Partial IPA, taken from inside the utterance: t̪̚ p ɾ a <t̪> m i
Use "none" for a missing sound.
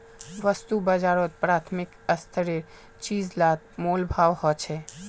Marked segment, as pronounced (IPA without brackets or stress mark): t̪ʰ